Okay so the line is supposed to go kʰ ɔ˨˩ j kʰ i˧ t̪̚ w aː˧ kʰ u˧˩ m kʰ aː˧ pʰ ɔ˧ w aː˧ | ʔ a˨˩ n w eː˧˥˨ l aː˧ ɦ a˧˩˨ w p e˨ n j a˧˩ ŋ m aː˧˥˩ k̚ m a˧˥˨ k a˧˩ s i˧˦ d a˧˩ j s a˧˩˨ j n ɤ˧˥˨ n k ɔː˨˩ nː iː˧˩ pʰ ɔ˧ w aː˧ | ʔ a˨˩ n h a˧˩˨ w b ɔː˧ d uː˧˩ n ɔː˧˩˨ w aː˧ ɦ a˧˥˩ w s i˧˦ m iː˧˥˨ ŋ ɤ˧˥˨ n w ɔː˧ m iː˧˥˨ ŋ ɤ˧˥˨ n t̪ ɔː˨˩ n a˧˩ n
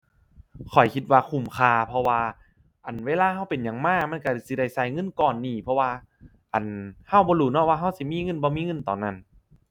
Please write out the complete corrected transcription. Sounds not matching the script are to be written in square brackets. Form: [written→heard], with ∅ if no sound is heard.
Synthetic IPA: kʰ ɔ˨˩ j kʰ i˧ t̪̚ w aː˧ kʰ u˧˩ m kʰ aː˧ pʰ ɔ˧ w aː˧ | ʔ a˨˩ n w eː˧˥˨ l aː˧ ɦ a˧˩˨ w p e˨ n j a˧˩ ŋ m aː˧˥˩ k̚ m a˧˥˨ k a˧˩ s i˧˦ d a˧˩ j s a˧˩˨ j [n→ŋ] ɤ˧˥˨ n k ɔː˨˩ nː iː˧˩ pʰ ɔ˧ w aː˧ | ʔ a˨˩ n h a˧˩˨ w b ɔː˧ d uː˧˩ n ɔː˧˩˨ w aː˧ ɦ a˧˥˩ w s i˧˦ m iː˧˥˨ ŋ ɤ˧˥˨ n [w→b] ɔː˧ m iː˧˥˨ ŋ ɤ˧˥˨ n t̪ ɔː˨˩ n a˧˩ n